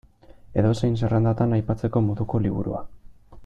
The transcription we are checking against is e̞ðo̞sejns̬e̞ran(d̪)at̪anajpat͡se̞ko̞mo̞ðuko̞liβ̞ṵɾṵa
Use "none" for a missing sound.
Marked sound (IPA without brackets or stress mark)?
d̪